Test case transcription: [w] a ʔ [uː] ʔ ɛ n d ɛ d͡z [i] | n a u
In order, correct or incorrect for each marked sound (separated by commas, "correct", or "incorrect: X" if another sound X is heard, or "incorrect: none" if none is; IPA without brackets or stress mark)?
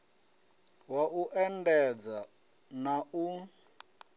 correct, incorrect: u, incorrect: a